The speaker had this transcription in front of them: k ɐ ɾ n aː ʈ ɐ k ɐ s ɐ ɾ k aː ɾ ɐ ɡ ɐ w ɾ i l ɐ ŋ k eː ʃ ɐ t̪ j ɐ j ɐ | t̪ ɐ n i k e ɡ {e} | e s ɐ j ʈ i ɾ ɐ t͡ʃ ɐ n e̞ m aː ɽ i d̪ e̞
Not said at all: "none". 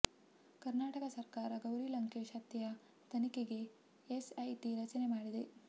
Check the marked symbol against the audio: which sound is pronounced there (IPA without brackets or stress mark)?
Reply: e